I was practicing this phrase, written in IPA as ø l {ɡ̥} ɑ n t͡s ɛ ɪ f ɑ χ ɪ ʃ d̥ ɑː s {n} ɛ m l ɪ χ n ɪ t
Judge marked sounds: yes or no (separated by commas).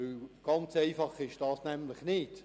yes, yes